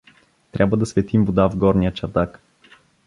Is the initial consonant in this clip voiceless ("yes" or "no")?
yes